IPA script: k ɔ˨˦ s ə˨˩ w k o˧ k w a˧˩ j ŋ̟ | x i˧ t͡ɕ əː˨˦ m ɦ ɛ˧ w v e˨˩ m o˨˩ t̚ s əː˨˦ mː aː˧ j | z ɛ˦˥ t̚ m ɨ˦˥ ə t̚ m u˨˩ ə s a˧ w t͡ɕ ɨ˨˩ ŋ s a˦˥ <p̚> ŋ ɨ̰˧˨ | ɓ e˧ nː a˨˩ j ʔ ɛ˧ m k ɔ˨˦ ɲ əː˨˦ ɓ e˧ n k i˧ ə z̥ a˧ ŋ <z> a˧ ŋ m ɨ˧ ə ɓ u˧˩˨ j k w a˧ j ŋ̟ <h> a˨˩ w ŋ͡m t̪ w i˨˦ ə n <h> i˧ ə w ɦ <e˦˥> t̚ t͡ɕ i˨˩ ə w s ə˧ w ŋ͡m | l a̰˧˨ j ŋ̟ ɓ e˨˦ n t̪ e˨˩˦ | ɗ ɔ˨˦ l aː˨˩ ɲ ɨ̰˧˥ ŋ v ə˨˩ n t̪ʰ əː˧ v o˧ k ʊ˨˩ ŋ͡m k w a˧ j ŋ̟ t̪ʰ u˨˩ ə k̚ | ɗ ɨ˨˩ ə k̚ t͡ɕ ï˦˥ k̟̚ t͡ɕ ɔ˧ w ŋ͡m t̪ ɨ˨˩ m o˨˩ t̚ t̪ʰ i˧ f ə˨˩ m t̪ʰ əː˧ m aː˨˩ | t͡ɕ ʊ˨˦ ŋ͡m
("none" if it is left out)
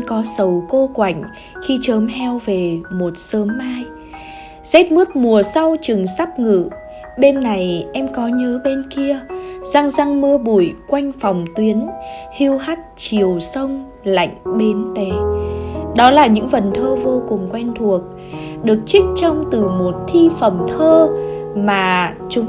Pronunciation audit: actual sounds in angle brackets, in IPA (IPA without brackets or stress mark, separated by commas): p̚, z, f, h, a˦˥